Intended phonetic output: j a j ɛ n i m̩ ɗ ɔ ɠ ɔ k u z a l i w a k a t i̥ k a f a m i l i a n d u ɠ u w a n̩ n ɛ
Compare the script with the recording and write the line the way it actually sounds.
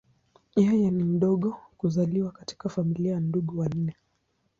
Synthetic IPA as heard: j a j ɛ n i m̩ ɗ ɔ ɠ ɔ k u z a l i w a k a t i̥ k a f a m i l i a n d u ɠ u w a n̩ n ɛ